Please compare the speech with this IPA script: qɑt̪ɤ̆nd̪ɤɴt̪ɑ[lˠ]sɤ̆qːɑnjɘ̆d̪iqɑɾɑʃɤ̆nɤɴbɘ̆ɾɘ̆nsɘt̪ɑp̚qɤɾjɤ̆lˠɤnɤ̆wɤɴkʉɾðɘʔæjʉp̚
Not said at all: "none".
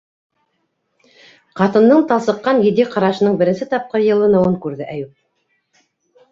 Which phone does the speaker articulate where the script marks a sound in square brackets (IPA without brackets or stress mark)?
lˠ